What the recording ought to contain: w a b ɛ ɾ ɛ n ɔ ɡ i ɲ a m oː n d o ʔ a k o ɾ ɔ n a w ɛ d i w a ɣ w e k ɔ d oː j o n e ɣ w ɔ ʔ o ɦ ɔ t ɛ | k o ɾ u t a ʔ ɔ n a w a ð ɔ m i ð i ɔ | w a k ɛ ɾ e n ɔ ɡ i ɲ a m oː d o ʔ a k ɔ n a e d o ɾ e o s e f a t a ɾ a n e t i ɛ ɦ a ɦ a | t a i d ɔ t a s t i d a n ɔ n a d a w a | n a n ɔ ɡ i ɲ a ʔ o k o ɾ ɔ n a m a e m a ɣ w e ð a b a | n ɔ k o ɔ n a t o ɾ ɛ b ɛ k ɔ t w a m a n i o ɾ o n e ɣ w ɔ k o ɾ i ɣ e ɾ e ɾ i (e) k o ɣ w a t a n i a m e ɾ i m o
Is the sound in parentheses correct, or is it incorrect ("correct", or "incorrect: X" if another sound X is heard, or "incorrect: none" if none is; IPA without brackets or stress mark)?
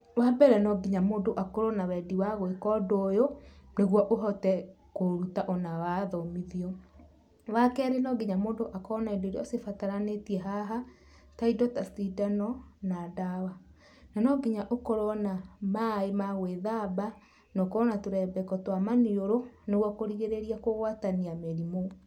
incorrect: a